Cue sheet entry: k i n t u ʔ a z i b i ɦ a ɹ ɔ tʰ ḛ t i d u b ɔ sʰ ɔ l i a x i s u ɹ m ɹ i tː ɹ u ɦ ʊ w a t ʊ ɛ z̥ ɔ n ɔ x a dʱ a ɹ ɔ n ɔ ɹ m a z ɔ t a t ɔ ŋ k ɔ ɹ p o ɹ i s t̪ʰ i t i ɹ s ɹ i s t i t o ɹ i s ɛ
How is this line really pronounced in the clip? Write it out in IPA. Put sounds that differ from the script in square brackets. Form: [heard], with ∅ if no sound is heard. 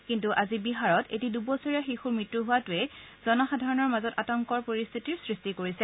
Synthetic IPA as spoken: k i n t u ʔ a z i b i ɦ a ɹ ɔ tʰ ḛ t i d u b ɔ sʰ ɔ [ɹ] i a x i [x] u ɹ m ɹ i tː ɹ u ɦ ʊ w a t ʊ ɛ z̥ ɔ n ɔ x a dʱ a ɹ ɔ n ɔ ɹ m a z ɔ t a t ɔ ŋ k ɔ ɹ p o ɹ i s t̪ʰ i t i ɹ s ɹ i s t i [k] o ɹ i s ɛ